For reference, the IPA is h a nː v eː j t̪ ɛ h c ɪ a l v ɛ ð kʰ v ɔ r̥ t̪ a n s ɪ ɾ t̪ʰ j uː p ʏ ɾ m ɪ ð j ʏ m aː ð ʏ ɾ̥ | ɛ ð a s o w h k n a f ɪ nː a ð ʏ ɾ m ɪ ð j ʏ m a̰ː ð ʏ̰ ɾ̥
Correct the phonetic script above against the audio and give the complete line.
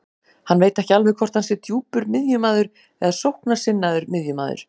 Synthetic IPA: h a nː v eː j t̪ ɛ h c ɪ a l v ɛ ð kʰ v ɔ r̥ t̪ a n s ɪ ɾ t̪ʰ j uː p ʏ ɾ m ɪ ð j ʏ m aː ð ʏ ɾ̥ | ɛ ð a s o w h k n a s ɪ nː a ð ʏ ɾ m ɪ ð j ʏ m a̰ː ð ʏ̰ ɾ̥